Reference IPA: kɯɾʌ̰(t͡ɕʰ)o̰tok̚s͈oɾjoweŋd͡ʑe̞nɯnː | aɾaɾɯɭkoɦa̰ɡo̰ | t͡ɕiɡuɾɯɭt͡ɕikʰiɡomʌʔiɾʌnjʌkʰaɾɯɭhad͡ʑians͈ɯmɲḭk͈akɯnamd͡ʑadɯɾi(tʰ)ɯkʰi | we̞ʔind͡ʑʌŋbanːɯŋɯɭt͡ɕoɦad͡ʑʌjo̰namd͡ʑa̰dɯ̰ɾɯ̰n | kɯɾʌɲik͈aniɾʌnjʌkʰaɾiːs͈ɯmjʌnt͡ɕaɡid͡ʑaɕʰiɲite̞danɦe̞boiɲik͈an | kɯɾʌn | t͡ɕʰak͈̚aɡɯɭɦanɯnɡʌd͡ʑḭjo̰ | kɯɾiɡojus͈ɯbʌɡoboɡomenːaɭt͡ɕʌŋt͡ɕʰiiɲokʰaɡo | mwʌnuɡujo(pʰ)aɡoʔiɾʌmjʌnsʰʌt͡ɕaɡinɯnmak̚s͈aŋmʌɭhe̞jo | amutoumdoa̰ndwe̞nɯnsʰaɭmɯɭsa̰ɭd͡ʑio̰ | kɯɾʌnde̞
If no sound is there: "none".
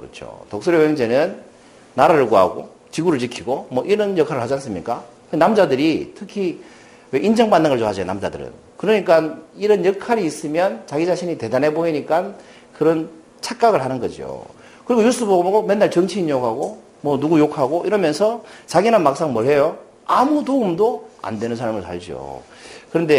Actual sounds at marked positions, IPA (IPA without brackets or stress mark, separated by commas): t͡ɕʰ, tʰ, kʰ